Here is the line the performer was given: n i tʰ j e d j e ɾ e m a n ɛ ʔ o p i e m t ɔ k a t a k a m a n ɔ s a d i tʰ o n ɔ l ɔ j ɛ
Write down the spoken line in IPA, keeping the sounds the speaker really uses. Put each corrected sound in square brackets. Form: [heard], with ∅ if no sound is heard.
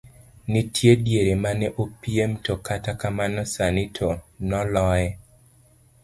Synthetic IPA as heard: n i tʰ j e d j e ɾ e m a n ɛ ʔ o p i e m t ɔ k a t a k a m a n ɔ s a [n] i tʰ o n ɔ l ɔ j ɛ